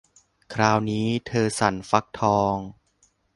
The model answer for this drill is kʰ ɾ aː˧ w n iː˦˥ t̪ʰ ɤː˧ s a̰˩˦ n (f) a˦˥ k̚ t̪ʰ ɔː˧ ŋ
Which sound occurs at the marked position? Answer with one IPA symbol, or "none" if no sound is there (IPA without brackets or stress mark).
f